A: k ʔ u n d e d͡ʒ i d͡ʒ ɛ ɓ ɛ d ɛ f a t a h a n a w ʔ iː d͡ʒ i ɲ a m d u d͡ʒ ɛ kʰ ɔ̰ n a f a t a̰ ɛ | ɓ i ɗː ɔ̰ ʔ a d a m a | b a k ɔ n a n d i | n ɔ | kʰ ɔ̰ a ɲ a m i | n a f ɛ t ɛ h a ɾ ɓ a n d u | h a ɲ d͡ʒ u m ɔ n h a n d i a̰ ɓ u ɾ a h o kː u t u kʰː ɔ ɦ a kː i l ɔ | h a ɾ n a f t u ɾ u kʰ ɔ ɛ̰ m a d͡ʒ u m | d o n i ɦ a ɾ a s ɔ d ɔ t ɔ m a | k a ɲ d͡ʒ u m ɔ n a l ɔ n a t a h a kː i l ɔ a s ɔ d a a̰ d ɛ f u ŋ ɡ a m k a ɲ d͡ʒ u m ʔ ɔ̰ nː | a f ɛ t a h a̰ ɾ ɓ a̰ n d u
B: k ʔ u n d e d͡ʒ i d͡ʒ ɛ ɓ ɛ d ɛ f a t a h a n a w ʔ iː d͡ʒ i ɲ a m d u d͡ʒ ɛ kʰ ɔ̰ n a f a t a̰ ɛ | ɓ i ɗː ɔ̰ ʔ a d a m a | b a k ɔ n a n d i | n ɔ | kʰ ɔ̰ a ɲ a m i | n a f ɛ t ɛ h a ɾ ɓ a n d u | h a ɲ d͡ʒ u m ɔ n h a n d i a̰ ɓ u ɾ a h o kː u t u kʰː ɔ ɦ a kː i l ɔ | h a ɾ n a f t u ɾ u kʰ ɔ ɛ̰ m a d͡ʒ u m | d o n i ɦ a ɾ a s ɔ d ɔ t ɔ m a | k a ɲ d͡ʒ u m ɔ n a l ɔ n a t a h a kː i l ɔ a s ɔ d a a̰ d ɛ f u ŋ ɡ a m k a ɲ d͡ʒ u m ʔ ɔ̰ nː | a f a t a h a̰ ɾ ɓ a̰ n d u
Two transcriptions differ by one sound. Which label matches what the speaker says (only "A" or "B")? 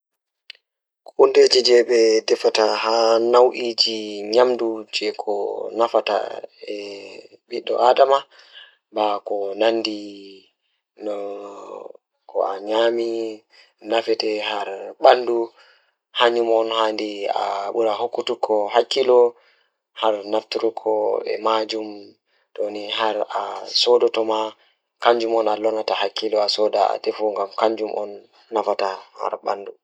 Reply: B